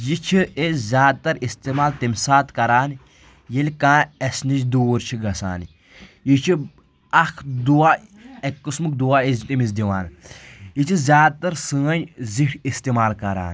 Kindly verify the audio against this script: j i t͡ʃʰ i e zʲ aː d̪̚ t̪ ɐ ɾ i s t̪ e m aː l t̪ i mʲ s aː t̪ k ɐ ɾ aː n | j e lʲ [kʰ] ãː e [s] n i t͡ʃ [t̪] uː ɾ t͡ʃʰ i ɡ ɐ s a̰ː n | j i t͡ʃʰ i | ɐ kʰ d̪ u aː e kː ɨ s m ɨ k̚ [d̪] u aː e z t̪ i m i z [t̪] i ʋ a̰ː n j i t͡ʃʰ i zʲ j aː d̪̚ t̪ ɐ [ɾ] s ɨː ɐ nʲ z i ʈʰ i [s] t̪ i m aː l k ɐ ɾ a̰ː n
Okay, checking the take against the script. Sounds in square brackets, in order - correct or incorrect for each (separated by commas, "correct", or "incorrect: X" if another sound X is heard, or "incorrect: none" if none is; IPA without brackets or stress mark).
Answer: incorrect: k, correct, incorrect: d̪, correct, incorrect: d̪, correct, correct